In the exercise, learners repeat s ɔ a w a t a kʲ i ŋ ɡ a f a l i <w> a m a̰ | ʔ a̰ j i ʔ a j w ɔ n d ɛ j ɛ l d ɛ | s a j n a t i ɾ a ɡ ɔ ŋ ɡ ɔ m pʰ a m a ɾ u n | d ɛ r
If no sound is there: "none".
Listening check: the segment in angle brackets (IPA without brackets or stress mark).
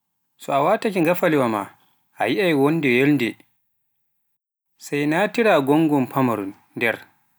w